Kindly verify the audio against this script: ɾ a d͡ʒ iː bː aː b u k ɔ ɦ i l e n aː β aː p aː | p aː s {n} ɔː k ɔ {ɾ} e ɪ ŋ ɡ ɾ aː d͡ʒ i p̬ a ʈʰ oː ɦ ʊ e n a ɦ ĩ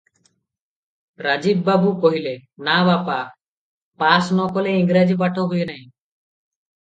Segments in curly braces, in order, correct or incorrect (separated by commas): correct, incorrect